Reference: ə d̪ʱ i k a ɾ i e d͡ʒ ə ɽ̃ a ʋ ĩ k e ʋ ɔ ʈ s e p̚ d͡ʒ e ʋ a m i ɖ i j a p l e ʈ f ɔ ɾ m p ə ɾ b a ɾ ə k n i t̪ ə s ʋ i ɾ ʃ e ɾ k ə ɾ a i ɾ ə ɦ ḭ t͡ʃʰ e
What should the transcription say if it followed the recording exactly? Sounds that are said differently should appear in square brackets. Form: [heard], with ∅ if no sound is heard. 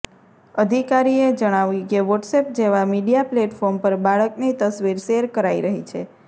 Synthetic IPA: ə d̪ʱ i k a ɾ i e d͡ʒ ə ɽ̃ a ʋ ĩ k e ʋ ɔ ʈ s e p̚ d͡ʒ e ʋ a m i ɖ i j a p l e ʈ f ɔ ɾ m p ə ɾ b a [ɭ] ə k n i t̪ ə s ʋ i ɾ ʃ e ɾ k ə ɾ a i ɾ ə ɦ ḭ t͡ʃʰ e